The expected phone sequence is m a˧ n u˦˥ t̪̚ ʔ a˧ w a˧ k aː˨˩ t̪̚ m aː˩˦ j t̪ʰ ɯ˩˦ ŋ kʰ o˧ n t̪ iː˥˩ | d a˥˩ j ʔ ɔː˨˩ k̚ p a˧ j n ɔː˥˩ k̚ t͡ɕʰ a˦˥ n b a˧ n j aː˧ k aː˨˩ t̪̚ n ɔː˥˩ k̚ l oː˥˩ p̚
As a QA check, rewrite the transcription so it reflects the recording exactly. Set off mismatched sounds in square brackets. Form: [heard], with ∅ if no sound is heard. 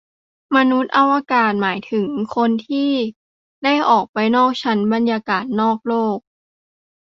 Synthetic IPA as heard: m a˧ n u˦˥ t̪̚ ʔ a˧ w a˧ k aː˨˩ t̪̚ m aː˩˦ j t̪ʰ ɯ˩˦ ŋ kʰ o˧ n [t̪ʰ] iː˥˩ | d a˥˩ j ʔ ɔː˨˩ k̚ p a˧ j n ɔː˥˩ k̚ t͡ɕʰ a˦˥ n b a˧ n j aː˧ k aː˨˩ t̪̚ n ɔː˥˩ k̚ l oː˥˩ [k̚]